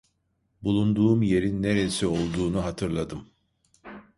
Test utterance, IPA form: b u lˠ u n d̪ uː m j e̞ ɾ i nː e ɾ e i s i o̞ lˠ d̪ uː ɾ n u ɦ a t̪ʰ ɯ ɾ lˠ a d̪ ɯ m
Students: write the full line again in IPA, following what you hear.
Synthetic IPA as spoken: b u lˠ u n d̪ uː m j e̞ ɾ i nː e ɾ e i s i o̞ lˠ d̪ uː n u ɦ a t̪ʰ ɯ ɾ lˠ a d̪ ɯ m